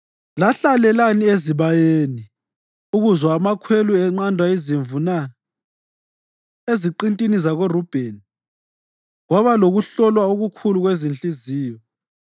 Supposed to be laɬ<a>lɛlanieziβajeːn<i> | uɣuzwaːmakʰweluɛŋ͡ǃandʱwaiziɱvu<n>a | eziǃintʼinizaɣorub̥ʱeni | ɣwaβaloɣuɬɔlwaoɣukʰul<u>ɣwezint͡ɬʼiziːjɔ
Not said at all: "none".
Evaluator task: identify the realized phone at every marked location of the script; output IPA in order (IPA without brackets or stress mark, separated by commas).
a, i, n, u